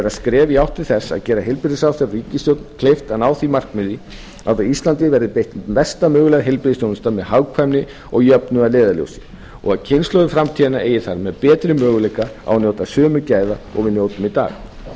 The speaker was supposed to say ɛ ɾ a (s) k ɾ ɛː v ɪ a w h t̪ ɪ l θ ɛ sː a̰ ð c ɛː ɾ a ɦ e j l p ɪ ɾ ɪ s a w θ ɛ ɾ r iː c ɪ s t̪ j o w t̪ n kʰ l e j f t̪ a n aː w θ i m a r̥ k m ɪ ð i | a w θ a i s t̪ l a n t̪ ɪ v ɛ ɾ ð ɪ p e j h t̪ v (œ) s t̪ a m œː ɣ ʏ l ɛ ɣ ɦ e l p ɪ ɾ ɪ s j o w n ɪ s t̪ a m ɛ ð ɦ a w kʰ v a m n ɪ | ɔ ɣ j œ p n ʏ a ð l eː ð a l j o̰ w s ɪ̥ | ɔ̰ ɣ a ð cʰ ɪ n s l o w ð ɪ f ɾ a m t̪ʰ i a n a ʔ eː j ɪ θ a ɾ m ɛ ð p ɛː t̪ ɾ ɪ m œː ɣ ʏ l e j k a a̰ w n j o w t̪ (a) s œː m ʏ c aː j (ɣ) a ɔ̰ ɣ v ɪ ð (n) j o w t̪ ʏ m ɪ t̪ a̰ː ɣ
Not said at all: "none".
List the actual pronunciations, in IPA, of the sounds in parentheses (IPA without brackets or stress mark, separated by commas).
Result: s, ɛ, a, ð, n